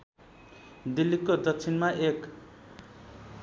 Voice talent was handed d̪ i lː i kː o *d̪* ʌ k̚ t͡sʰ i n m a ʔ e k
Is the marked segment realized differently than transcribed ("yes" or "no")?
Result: no